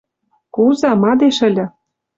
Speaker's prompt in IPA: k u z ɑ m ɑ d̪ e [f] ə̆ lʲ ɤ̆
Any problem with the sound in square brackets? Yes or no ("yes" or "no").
yes